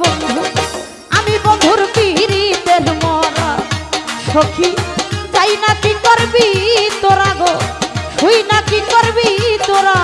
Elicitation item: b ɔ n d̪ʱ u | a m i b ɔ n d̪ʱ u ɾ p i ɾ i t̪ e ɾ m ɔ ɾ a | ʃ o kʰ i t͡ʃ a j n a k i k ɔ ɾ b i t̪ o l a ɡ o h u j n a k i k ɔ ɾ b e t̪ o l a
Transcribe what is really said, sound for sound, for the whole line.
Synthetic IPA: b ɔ n d̪ʱ u | a m i b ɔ n d̪ʱ u ɾ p i ɾ i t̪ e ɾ m ɔ ɾ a | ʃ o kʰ i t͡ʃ a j n a k i k ɔ ɾ b i t̪ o ɾ a ɡ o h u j n a k i k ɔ ɾ b i t̪ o ɾ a